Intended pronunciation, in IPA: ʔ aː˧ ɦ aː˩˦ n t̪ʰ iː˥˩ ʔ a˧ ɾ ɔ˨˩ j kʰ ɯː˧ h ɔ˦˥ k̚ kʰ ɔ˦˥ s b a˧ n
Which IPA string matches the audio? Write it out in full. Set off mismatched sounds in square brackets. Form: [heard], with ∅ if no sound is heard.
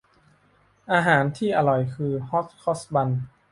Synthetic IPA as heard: ʔ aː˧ ɦ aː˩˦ n t̪ʰ iː˥˩ ʔ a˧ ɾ ɔ˨˩ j kʰ ɯː˧ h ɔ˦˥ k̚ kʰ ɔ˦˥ s b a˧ n